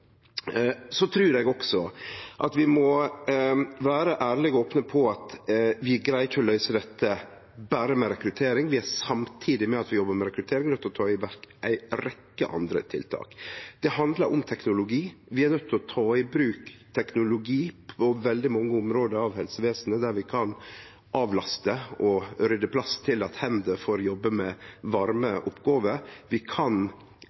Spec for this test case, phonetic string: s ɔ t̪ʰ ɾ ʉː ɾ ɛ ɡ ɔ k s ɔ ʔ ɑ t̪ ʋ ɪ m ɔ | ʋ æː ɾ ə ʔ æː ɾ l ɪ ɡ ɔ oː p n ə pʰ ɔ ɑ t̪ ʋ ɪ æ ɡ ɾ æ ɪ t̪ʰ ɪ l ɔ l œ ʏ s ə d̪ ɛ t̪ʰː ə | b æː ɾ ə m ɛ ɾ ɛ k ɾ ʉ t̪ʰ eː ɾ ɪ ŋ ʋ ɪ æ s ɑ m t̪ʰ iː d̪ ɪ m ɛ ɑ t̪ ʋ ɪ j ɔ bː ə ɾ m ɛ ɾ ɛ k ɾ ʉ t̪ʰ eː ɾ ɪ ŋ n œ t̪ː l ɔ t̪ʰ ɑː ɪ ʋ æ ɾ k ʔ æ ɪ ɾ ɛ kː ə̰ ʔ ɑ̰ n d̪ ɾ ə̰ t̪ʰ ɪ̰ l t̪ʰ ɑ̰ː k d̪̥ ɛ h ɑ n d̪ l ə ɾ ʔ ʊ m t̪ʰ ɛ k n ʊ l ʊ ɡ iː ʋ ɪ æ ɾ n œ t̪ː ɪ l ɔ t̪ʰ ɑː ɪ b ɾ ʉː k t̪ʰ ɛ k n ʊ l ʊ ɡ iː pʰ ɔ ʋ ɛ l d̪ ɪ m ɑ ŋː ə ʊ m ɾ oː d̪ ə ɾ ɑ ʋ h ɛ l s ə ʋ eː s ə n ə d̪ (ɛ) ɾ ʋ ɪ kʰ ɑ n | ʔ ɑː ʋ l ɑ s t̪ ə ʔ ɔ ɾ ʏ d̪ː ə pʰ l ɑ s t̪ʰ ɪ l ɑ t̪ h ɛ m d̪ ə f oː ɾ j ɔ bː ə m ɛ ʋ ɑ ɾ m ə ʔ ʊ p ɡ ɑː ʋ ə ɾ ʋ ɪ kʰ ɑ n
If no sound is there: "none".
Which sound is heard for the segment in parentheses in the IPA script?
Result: æ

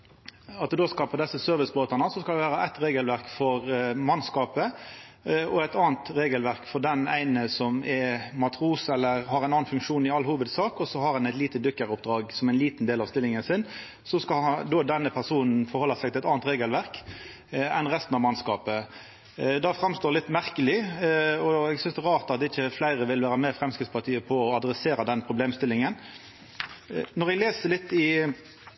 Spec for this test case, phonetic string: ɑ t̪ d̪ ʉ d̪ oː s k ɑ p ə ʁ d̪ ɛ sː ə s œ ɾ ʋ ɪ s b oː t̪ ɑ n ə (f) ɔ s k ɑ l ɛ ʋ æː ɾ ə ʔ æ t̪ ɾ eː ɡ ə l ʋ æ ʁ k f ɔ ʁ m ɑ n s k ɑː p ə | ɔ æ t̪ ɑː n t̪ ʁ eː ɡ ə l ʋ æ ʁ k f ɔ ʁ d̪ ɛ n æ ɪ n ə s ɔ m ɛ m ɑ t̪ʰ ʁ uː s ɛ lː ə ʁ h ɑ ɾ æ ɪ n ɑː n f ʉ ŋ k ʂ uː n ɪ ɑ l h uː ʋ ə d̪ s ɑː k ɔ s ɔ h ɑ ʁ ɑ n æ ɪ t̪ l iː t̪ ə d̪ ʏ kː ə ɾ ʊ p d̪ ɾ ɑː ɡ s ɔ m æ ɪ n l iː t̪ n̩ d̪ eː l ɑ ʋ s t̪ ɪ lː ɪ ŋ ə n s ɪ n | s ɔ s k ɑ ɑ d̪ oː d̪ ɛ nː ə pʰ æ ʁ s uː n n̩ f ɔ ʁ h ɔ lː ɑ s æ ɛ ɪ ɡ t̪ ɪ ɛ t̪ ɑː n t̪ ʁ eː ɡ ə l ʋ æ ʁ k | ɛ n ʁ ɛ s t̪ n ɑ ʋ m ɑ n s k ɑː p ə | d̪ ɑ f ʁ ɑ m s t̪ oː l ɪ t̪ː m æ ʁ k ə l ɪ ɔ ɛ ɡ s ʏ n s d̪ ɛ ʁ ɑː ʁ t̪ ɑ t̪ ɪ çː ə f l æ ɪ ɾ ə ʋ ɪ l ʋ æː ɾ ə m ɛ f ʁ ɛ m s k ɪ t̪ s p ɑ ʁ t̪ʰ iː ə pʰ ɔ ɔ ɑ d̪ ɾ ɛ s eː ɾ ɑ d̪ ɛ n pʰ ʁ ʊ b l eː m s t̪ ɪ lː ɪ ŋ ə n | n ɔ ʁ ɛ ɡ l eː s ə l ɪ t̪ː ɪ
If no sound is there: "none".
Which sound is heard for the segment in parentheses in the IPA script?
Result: s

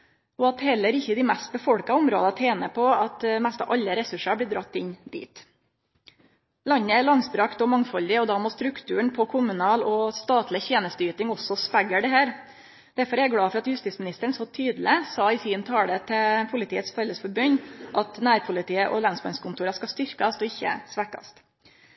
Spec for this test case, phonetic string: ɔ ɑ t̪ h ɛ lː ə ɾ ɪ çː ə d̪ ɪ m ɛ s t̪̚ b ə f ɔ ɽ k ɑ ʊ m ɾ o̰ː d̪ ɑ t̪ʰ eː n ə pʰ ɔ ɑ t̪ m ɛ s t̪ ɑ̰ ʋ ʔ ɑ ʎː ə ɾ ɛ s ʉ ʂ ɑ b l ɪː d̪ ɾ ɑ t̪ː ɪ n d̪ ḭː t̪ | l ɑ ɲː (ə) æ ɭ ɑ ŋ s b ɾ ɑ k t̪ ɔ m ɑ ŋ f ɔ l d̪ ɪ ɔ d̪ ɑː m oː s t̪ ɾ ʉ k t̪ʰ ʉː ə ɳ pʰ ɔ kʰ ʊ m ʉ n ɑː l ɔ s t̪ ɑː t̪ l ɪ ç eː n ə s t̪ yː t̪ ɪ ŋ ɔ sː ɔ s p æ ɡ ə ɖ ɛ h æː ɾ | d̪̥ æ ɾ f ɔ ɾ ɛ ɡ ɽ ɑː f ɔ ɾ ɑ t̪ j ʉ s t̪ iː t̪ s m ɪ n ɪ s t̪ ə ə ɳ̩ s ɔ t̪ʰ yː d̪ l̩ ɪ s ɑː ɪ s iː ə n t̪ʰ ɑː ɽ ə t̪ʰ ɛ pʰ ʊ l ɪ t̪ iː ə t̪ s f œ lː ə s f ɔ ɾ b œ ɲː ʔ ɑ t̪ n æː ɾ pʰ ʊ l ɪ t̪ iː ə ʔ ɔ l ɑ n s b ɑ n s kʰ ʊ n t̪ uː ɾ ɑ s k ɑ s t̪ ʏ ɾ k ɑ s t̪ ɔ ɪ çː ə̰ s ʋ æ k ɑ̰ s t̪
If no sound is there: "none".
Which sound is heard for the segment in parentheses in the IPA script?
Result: ə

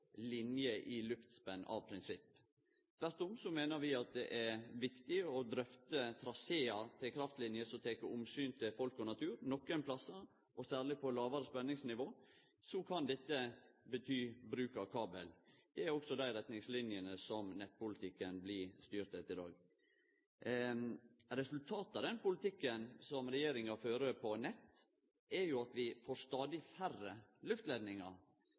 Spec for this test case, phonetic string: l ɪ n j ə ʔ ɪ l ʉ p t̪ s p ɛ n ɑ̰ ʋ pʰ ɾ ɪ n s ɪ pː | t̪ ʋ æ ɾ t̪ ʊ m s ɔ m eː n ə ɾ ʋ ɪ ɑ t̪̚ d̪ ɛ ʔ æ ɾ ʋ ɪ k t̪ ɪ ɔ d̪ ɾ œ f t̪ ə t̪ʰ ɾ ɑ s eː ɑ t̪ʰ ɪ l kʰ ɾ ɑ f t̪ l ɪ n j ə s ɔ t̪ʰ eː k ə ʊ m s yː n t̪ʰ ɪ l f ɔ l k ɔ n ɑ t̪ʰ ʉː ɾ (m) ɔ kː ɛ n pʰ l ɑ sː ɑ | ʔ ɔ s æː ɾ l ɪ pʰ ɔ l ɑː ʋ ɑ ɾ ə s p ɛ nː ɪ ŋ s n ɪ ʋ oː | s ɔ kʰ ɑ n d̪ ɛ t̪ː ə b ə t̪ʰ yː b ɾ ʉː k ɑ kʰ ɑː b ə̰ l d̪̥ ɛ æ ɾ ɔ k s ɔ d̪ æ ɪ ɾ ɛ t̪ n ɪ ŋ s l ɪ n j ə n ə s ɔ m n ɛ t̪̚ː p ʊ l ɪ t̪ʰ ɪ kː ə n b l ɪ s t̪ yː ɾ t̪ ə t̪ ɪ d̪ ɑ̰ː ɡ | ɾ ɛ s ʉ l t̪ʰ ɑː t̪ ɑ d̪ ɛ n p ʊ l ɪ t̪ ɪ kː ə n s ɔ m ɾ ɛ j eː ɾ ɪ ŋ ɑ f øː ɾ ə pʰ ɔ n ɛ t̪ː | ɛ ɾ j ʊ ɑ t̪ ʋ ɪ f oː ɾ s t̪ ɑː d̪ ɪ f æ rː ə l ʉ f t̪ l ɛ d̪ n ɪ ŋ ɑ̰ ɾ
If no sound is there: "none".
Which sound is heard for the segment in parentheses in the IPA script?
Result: n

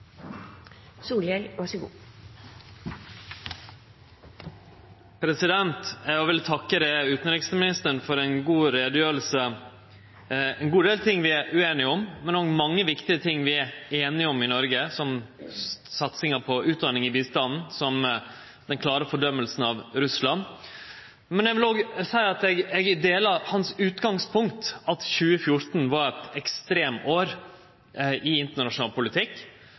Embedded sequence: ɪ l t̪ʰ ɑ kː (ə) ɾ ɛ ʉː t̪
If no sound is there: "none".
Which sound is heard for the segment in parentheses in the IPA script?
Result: ə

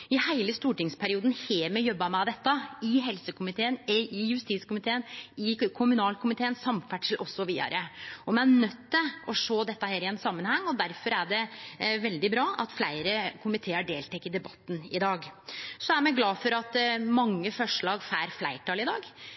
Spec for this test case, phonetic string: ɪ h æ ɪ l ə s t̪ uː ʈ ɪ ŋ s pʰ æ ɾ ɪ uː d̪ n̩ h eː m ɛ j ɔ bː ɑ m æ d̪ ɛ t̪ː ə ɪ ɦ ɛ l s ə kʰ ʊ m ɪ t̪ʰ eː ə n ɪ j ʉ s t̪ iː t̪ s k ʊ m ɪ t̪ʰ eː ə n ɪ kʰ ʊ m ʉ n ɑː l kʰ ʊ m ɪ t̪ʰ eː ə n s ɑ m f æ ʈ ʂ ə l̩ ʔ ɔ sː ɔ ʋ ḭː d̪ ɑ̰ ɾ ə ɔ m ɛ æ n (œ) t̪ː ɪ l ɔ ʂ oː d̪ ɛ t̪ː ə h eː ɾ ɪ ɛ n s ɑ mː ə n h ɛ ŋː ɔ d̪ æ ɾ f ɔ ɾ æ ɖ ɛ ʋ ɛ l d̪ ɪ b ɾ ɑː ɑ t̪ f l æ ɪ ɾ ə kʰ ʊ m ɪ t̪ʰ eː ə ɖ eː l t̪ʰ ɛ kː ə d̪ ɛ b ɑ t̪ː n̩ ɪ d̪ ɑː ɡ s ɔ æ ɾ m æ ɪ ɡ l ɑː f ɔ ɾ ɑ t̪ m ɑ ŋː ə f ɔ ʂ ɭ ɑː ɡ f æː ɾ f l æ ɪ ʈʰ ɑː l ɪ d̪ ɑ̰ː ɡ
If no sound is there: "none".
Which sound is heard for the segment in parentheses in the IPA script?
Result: œ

